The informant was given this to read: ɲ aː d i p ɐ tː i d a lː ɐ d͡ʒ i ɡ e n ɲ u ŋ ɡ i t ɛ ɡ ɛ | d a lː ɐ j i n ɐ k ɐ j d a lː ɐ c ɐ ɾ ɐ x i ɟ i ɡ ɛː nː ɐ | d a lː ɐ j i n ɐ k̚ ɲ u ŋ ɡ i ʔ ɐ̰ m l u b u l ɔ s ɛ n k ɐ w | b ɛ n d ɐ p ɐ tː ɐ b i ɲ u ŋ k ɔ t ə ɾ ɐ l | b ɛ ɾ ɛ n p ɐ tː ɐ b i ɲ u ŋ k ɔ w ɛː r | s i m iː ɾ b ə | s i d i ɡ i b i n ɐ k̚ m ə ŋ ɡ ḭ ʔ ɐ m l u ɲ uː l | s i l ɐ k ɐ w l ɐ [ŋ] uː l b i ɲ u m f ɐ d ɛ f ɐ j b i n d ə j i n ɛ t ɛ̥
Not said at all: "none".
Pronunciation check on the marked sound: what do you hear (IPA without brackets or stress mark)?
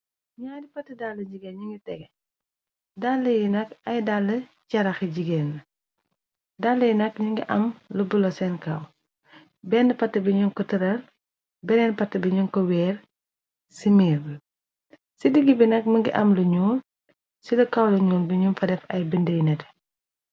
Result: ɲ